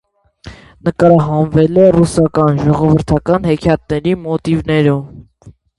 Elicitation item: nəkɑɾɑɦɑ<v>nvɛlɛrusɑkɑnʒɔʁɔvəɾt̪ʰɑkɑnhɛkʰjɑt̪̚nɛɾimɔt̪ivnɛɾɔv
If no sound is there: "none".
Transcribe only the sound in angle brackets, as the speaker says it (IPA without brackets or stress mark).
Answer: none